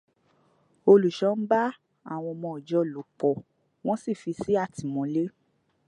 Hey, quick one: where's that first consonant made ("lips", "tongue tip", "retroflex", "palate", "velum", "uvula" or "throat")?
tongue tip